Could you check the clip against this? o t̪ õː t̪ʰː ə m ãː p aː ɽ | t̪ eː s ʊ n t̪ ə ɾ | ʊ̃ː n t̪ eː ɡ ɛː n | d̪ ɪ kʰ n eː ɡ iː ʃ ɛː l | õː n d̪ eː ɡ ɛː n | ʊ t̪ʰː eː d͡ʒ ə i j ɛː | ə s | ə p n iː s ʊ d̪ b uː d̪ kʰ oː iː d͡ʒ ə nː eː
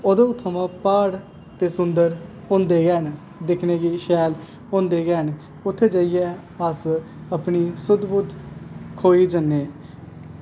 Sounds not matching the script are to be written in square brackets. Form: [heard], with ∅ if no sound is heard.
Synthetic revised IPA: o [d̪] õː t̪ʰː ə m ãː p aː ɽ | t̪ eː s ʊ n [d̪] ə ɾ | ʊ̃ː n [d̪] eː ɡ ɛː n | d̪ ɪ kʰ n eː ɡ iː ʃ ɛː l | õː n d̪ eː ɡ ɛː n | ʊ t̪ʰː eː d͡ʒ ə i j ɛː | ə s | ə p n iː s ʊ d̪ b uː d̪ kʰ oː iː d͡ʒ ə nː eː